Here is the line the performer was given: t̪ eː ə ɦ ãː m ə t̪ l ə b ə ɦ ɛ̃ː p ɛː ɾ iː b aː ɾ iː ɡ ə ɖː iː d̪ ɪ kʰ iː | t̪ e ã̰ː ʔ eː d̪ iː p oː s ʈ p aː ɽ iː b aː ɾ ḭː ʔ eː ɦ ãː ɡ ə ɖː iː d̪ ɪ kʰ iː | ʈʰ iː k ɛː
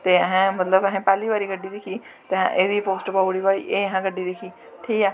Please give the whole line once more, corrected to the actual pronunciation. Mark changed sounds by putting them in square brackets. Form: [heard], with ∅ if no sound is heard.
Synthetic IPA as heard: t̪ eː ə ɦ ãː m ə t̪ l ə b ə ɦ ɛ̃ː p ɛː [l] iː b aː ɾ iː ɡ ə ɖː iː d̪ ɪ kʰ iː | t̪ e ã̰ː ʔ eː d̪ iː p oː s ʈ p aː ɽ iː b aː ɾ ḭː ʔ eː ɦ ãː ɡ ə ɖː iː d̪ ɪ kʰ iː | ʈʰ iː k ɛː